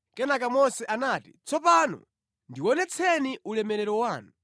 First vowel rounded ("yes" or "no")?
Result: no